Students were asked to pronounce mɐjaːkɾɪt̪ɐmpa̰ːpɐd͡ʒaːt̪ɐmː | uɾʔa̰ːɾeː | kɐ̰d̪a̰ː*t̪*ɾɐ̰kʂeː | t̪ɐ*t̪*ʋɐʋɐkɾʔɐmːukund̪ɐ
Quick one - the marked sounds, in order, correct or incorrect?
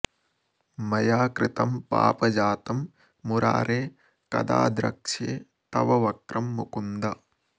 incorrect: d̪, incorrect: none

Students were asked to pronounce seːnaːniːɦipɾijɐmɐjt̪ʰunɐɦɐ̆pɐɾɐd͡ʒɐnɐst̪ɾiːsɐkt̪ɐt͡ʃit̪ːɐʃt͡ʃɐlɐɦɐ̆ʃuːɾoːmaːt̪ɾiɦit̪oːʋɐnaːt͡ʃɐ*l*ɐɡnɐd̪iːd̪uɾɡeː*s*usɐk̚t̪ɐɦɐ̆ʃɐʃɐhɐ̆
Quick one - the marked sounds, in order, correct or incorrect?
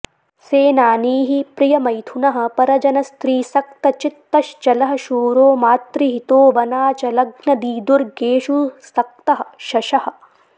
correct, incorrect: ʃ

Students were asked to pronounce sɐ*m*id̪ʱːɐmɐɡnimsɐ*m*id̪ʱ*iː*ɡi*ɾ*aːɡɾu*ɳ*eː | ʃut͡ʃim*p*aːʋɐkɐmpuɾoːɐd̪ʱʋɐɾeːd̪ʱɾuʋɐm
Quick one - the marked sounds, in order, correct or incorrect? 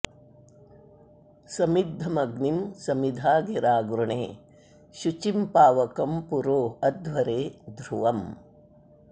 correct, correct, incorrect: aː, correct, correct, correct

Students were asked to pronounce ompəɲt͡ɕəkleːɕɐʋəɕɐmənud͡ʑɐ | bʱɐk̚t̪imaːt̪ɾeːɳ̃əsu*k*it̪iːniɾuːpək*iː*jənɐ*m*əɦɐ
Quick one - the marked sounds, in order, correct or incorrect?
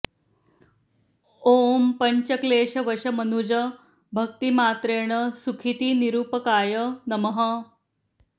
incorrect: kʰ, incorrect: aː, correct

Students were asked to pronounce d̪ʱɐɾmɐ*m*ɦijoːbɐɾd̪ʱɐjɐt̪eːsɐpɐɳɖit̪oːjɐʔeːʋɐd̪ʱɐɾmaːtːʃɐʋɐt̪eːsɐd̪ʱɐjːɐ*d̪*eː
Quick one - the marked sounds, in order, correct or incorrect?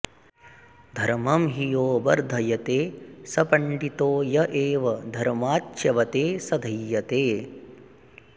correct, incorrect: t̪

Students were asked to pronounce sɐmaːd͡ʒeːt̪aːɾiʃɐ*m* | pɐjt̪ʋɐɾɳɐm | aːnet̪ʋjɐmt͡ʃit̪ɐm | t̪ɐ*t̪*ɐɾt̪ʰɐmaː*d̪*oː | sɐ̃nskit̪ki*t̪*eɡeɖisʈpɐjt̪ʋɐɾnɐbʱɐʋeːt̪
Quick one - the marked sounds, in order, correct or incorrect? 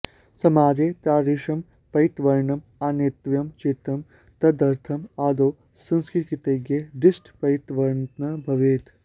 correct, incorrect: d̪, correct, correct

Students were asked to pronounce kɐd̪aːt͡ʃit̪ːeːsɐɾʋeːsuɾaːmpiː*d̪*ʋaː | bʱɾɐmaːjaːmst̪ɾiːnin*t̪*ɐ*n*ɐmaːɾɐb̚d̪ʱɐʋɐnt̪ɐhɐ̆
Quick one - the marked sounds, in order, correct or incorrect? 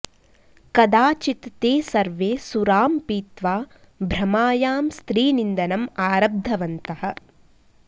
incorrect: t̪, incorrect: d̪, correct

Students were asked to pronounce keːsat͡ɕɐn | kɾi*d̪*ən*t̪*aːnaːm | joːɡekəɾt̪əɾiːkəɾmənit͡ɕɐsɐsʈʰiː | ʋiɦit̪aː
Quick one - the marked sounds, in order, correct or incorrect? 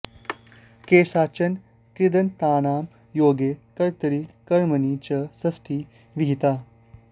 correct, correct

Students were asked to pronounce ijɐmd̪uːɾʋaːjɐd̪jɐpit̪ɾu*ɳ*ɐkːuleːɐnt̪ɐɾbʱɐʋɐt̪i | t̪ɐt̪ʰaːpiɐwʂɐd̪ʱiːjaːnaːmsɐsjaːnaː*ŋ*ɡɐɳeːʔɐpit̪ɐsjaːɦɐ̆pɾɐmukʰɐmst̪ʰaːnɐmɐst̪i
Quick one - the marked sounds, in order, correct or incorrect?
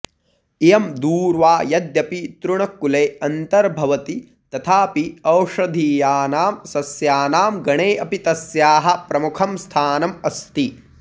correct, incorrect: m

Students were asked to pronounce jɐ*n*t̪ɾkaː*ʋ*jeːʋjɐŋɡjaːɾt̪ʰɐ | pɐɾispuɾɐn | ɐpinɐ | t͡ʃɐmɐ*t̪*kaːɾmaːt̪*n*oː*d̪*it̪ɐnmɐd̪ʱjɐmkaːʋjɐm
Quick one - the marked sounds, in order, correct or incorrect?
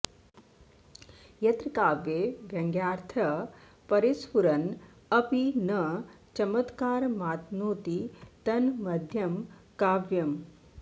incorrect: none, correct, correct, correct, incorrect: t̪

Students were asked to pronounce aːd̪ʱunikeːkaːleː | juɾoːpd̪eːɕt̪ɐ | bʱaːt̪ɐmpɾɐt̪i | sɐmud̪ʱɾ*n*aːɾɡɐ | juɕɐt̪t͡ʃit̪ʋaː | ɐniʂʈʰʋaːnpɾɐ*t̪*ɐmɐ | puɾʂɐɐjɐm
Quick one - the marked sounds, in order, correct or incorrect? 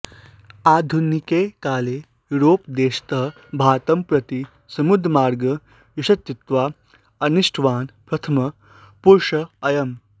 incorrect: m, incorrect: t̪ʰ

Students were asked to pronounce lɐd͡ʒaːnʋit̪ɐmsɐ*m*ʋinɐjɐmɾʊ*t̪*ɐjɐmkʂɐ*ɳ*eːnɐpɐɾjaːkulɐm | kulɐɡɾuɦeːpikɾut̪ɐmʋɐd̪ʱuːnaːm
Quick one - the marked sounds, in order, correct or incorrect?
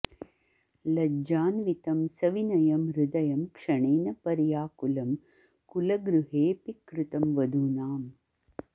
incorrect: none, incorrect: d̪, correct

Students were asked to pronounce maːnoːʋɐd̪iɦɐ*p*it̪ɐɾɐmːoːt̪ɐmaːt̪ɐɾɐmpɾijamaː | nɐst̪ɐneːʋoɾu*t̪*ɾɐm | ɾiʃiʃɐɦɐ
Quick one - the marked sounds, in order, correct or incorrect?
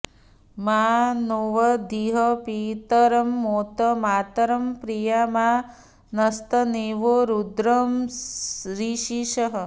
correct, incorrect: d̪

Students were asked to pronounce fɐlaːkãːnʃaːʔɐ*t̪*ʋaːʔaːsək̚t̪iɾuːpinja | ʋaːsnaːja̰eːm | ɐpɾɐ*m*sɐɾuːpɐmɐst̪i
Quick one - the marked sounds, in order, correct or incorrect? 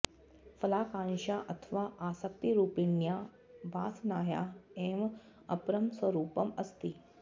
incorrect: t̪ʰ, correct

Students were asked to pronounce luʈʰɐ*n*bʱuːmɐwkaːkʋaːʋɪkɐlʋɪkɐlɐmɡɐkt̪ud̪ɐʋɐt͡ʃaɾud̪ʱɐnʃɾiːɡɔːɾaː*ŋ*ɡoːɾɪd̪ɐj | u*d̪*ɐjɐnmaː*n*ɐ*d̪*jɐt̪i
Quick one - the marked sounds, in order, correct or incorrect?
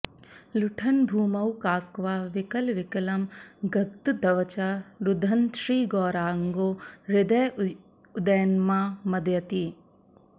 correct, correct, correct, incorrect: m, correct

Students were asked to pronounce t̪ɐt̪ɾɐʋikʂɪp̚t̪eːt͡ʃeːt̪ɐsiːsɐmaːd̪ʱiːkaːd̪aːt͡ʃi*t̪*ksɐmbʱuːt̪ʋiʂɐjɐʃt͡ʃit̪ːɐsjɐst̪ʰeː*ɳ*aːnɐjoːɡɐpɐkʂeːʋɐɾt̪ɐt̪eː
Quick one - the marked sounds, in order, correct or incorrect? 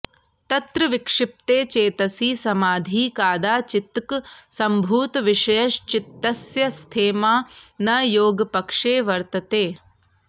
correct, incorrect: m

